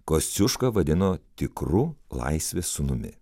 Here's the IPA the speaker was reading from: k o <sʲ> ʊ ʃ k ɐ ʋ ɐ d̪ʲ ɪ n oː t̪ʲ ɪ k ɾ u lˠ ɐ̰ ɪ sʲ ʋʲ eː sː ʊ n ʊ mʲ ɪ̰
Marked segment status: correct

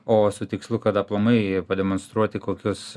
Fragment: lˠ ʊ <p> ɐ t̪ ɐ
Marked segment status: incorrect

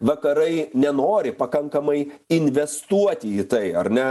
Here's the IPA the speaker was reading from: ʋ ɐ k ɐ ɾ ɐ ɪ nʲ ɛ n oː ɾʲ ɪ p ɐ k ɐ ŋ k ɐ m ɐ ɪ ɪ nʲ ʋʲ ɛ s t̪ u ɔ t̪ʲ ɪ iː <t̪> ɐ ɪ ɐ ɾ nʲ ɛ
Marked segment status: correct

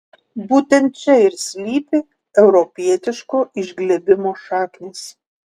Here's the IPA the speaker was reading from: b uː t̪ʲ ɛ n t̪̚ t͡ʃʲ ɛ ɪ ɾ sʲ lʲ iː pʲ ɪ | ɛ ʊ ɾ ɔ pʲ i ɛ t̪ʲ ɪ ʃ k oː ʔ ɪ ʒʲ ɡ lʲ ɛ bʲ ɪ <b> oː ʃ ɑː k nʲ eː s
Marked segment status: incorrect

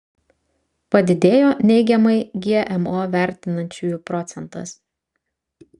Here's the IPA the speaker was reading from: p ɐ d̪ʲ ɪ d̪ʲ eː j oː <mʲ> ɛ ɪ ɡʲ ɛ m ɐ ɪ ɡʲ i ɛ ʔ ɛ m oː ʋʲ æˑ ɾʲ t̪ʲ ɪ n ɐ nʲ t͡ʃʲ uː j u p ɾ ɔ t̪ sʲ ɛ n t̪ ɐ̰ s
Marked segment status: incorrect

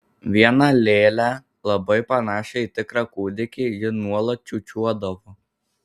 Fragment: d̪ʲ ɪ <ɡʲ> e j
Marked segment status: incorrect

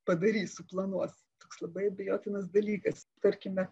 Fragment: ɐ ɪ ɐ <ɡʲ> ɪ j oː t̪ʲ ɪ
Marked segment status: incorrect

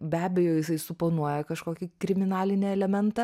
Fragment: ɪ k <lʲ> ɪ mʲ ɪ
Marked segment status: incorrect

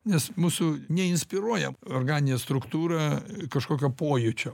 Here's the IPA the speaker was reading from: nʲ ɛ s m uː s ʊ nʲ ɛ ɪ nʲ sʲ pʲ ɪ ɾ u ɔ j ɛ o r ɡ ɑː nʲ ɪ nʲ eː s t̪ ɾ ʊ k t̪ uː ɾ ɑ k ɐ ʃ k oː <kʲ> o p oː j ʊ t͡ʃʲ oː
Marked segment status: correct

